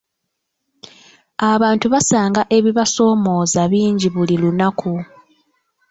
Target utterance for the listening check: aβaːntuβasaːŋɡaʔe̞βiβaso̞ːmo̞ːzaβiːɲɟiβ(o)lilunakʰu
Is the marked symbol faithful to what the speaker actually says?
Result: no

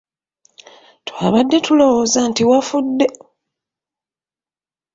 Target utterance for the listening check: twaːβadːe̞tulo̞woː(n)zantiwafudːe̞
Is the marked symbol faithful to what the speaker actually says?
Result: no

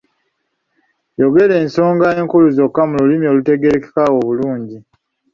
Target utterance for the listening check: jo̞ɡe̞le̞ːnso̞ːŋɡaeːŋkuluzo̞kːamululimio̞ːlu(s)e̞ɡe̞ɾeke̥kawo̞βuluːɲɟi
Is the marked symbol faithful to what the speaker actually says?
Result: no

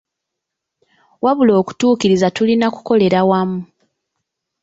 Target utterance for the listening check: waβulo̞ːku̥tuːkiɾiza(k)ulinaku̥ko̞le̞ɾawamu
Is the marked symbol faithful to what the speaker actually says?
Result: no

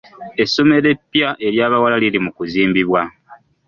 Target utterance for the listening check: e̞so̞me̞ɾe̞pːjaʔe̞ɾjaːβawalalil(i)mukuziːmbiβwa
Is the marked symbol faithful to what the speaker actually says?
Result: yes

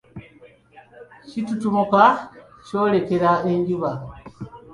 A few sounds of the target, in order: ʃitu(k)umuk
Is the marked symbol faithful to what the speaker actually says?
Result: no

